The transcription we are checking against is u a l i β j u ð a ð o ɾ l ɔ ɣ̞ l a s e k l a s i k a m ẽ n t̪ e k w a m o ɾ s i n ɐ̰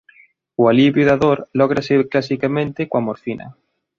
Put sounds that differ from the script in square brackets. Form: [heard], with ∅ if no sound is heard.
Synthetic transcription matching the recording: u a l i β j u ð a ð o ɾ l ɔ ɣ̞ [ɾ] a s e k l a s i k a m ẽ n t̪ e k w a m o ɾ [f] i n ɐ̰